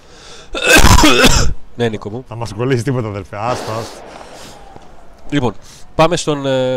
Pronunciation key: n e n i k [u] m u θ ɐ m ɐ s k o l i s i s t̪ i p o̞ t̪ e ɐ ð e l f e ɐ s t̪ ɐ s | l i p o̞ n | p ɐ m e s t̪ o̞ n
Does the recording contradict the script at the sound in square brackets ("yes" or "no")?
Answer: yes